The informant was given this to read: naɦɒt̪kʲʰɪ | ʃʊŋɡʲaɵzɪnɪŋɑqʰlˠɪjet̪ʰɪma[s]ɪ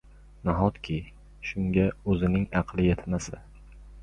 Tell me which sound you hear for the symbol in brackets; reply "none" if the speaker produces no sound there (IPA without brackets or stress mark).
s